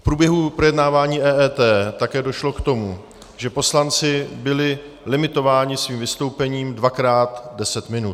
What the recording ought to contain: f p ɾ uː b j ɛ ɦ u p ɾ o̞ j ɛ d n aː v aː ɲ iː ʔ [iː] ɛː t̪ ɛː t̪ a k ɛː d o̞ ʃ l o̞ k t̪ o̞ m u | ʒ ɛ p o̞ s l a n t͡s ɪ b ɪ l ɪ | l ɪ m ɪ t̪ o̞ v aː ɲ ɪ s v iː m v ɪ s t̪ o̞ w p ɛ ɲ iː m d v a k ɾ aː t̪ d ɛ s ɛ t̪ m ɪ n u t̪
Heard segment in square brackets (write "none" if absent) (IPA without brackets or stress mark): ɛː